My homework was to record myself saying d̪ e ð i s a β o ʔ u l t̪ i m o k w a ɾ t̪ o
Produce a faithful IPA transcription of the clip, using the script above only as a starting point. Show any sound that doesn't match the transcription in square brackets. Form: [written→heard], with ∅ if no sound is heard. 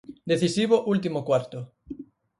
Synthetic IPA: d̪ e [ð→θ] i s [a→i] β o ʔ u l t̪ i m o k w a ɾ t̪ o